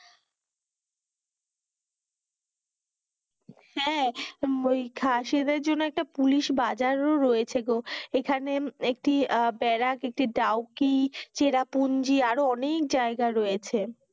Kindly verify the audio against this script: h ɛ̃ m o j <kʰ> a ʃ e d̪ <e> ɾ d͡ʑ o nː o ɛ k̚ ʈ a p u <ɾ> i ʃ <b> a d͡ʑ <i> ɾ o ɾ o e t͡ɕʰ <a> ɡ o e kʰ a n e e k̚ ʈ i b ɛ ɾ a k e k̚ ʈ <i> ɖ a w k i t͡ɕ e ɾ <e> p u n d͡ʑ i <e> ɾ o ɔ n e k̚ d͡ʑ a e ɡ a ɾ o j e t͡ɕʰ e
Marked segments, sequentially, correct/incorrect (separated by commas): correct, correct, incorrect, correct, incorrect, incorrect, correct, incorrect, incorrect